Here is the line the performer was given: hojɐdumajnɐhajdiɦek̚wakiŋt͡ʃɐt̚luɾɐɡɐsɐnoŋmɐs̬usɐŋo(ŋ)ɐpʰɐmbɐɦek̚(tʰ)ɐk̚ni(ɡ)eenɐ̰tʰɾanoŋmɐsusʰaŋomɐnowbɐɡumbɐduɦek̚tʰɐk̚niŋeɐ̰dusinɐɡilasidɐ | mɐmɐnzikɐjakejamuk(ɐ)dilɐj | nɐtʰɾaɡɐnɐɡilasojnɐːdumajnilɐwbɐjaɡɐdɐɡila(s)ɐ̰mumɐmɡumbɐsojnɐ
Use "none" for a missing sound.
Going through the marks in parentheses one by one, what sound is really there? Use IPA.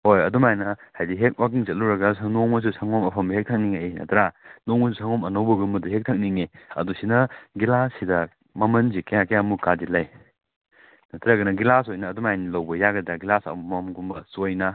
m, tʰ, ŋ, a, s

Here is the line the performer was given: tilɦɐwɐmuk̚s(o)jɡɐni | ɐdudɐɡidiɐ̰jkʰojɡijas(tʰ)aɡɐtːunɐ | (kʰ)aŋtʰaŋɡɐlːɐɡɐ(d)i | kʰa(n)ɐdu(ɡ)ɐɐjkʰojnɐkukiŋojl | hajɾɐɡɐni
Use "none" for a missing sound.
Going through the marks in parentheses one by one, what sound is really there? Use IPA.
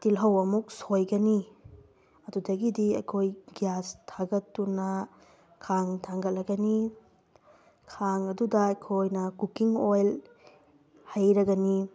o, tʰ, kʰ, n, ŋ, d

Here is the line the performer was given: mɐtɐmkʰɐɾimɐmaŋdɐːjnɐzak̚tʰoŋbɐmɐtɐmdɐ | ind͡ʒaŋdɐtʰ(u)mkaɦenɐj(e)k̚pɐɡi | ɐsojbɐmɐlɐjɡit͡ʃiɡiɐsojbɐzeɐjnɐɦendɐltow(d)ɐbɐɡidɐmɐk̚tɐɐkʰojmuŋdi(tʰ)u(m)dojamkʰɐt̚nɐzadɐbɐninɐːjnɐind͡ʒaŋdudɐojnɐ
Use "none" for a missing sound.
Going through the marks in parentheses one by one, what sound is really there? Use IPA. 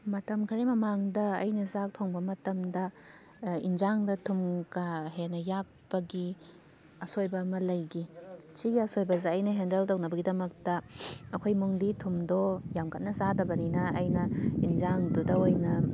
u, a, n, tʰ, m

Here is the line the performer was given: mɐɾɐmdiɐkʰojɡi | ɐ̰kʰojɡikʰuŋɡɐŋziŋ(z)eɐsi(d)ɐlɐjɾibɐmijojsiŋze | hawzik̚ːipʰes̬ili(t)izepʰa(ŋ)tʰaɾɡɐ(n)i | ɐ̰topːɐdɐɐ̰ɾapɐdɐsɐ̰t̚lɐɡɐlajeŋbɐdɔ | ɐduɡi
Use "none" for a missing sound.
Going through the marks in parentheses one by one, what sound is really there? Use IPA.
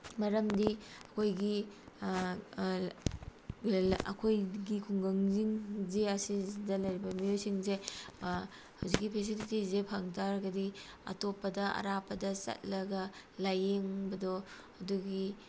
z, d, t, ŋ, d

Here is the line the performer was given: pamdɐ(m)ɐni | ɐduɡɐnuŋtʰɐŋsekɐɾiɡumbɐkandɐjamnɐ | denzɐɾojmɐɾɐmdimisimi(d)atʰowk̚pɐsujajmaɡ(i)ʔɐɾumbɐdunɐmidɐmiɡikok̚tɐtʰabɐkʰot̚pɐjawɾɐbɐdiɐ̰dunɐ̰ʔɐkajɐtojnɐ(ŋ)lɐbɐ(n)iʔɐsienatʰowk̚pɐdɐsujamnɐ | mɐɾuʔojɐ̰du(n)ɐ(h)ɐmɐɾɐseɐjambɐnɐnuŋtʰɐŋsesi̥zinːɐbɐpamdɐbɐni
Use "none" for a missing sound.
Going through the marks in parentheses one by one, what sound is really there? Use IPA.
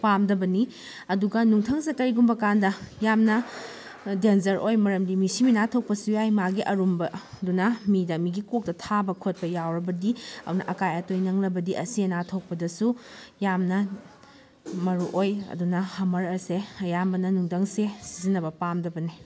b, n, i, ŋ, d, n, h

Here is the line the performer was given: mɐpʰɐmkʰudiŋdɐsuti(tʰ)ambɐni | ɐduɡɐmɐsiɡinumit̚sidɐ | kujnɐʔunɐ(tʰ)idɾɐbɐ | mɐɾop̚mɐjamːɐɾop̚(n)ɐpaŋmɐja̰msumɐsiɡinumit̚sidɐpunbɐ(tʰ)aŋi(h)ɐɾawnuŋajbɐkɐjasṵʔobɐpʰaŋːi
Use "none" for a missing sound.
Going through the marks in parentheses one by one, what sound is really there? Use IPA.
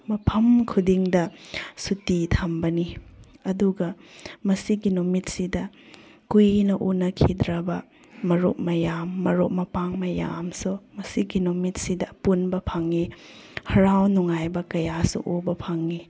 tʰ, kʰ, m, pʰ, h

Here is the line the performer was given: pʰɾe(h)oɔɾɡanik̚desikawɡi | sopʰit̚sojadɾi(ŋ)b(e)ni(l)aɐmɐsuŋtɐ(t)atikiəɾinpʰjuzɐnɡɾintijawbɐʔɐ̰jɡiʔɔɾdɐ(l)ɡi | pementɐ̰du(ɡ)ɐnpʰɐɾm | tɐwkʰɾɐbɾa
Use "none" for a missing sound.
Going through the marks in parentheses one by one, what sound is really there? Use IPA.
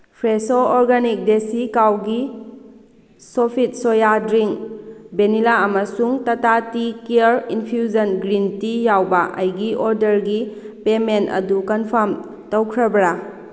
s, ŋ, e, l, t, ɾ, k

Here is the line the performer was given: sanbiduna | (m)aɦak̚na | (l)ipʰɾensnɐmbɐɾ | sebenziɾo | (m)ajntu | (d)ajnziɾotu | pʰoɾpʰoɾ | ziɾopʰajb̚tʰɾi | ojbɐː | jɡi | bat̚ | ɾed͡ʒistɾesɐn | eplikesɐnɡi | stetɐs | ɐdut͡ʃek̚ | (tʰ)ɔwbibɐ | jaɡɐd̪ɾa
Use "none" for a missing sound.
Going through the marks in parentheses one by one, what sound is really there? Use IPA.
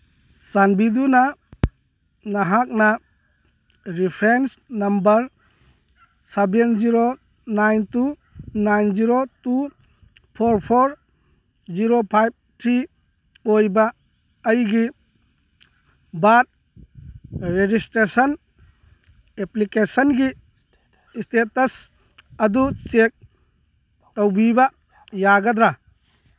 n, ɾ, n, n, t

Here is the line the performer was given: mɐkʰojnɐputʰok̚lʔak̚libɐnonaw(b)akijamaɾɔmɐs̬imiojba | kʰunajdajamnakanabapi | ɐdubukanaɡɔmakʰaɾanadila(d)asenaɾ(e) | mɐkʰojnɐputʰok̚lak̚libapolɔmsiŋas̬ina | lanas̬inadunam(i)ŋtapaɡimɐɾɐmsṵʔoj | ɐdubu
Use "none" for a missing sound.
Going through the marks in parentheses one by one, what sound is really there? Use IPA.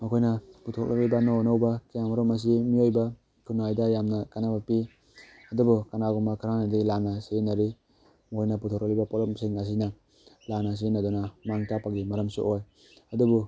b, n, i, a

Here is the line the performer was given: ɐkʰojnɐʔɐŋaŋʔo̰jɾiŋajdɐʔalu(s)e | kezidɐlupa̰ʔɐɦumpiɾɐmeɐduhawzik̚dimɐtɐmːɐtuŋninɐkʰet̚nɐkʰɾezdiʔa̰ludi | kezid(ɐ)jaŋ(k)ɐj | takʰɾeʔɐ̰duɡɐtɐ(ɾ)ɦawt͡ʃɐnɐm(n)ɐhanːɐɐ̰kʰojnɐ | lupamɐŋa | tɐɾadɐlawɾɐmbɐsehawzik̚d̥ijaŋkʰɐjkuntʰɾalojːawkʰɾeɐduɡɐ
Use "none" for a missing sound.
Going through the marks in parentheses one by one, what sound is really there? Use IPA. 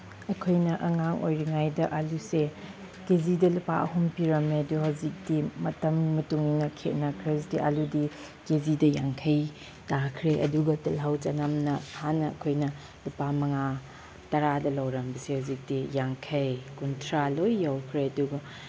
s, ɐ, kʰ, l, n

